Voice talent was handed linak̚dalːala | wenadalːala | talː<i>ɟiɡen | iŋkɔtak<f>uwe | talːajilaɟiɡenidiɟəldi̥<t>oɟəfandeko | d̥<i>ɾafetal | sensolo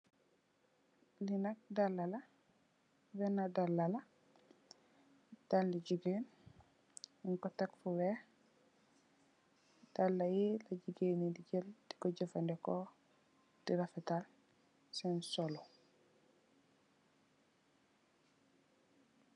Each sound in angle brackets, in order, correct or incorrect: correct, correct, incorrect: k, correct

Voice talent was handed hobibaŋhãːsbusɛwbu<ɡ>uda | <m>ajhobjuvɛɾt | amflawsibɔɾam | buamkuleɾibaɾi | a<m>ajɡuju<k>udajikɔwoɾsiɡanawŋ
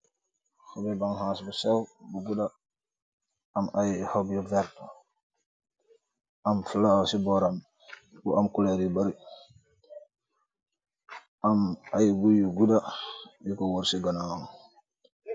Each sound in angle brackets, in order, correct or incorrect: correct, correct, correct, incorrect: ɡ

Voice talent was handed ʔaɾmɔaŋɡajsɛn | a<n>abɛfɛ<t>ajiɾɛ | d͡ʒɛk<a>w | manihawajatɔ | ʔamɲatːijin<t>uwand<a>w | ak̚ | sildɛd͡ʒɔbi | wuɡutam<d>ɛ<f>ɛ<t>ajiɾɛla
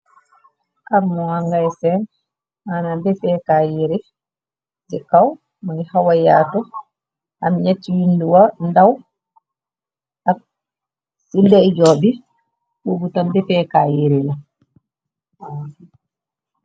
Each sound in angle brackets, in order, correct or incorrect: correct, incorrect: k, correct, incorrect: d, correct, incorrect: b, correct, incorrect: k

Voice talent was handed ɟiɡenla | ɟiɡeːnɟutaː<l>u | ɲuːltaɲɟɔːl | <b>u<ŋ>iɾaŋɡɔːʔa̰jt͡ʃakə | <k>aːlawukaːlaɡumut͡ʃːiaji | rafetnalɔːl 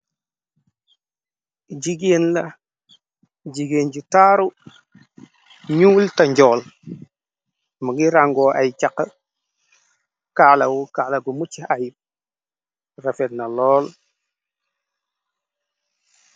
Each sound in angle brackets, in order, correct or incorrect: incorrect: ɾ, incorrect: m, incorrect: ɡ, correct

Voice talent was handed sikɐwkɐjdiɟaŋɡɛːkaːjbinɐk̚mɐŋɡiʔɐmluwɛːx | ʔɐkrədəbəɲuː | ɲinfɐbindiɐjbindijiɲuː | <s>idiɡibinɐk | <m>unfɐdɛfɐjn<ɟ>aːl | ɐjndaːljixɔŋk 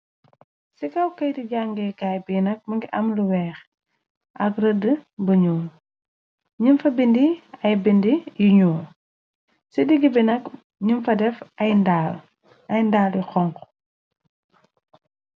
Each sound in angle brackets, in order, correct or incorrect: correct, incorrect: ɲ, incorrect: d

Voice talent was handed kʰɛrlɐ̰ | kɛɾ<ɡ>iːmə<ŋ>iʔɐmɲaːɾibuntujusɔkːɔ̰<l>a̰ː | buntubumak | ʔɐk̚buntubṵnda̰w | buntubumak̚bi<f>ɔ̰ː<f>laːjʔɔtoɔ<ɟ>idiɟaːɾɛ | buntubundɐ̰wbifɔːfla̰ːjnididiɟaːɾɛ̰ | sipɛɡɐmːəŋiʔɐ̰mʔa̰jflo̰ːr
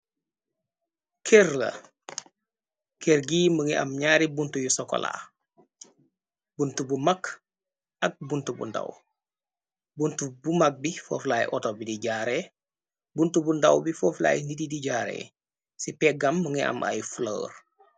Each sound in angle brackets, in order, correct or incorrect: correct, correct, correct, correct, correct, incorrect: b

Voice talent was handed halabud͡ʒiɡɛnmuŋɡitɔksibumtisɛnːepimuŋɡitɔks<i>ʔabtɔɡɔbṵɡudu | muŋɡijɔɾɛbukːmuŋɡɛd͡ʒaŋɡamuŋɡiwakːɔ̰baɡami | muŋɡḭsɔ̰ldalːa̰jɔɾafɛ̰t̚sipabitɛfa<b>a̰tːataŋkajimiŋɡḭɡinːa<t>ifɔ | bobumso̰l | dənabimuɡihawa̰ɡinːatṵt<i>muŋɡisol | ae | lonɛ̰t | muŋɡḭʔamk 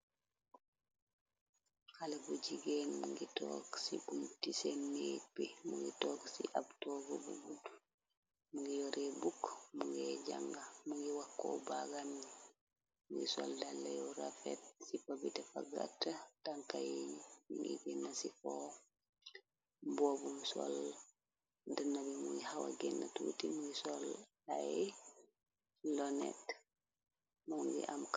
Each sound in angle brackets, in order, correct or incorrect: correct, incorrect: ɡ, incorrect: s, correct

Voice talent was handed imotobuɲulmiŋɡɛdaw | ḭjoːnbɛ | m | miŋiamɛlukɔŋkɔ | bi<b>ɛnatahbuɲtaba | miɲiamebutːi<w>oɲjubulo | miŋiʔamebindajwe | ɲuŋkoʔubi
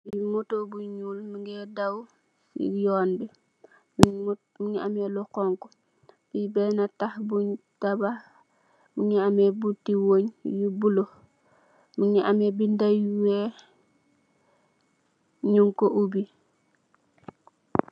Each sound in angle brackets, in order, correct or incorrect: correct, correct

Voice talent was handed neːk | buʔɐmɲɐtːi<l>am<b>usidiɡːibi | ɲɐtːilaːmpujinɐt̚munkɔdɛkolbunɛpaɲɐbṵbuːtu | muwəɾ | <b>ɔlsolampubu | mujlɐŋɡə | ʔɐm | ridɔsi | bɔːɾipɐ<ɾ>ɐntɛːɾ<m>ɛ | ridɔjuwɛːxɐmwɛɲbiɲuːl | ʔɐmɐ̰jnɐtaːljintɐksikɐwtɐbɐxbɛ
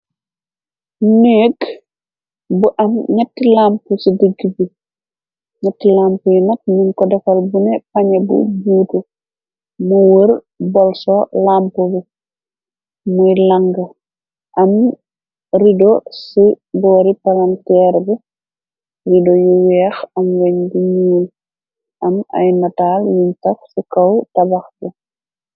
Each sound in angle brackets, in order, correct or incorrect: correct, incorrect: p, correct, incorrect: l, incorrect: b

